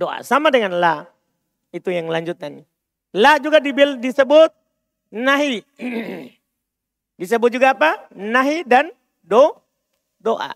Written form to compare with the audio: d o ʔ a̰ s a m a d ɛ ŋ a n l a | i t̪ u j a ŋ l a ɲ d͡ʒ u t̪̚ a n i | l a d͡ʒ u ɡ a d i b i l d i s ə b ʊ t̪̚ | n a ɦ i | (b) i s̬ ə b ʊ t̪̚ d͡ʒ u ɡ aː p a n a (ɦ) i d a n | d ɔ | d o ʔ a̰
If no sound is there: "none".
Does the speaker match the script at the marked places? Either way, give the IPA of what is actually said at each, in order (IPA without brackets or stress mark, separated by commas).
d, ɦ